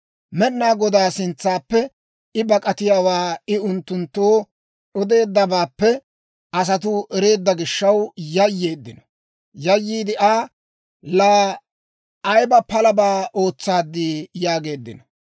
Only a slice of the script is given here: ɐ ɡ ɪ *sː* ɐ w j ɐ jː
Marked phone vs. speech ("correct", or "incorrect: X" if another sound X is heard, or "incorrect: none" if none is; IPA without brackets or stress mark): incorrect: ʃː